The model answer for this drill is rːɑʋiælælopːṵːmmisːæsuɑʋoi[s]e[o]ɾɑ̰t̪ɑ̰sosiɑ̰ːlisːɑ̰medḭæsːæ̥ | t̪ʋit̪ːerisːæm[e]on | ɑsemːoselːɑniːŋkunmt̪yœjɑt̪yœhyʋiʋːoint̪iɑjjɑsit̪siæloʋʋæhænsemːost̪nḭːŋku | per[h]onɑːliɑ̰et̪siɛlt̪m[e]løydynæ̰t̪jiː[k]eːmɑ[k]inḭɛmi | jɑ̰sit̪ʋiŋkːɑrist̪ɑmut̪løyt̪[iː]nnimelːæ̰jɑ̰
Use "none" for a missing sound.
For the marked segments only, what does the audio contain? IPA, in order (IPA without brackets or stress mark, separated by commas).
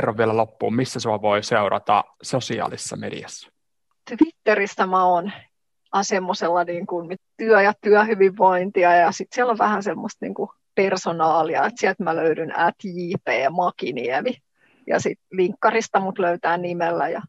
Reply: s, u, æ, s, æ, p, k, æː